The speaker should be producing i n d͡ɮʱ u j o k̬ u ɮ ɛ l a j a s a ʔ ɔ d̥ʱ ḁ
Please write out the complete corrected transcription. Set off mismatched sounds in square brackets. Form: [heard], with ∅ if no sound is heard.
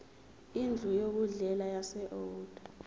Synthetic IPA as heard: i n d͡ɮʱ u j o k̬ u ɮ ɛ l a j a s [ɛ] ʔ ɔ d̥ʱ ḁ